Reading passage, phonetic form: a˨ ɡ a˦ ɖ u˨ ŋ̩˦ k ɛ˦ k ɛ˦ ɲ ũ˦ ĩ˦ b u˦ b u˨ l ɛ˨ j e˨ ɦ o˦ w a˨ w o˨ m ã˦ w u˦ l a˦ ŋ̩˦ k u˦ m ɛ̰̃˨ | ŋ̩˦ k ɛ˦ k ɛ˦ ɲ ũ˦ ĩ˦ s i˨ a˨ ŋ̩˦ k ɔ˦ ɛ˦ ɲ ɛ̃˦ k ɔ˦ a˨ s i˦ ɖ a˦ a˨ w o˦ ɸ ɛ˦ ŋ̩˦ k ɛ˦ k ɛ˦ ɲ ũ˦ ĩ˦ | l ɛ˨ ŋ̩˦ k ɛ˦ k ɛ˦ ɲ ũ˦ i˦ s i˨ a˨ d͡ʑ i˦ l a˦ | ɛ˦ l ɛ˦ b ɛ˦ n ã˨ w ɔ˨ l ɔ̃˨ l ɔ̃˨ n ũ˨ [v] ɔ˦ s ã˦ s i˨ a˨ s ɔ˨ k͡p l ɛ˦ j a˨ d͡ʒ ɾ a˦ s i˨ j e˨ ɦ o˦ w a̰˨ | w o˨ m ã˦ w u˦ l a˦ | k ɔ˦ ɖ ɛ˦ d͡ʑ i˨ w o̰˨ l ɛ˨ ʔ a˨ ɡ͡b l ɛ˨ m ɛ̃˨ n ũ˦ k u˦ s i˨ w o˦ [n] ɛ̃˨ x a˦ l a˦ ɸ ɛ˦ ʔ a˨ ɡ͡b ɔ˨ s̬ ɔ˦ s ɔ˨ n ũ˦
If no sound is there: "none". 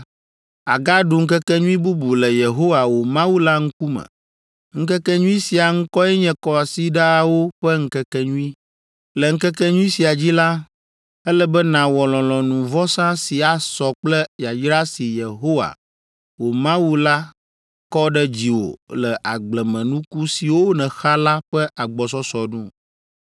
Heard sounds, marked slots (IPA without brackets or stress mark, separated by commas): v, n